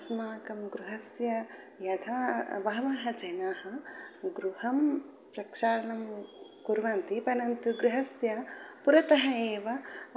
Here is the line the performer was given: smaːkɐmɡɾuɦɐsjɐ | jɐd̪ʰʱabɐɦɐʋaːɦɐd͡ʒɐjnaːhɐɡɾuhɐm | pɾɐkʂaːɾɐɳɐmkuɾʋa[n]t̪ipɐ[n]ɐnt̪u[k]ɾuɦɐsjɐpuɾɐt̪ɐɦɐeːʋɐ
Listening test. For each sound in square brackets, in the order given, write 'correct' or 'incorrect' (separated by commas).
correct, correct, incorrect